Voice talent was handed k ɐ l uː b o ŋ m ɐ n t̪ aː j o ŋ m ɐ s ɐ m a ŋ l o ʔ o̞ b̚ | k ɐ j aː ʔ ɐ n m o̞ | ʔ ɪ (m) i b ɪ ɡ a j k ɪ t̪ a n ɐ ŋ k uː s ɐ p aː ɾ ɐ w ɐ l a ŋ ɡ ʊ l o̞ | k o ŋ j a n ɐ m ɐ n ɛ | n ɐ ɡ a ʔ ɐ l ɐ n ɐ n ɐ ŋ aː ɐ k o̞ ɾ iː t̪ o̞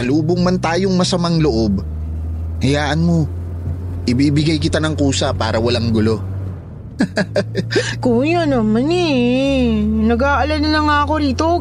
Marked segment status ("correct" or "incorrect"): incorrect